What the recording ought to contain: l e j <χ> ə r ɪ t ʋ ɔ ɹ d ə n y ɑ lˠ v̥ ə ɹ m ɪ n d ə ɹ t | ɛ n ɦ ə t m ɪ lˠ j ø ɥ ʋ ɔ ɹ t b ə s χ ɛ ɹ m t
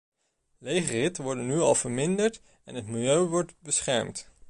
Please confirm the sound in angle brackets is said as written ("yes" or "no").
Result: yes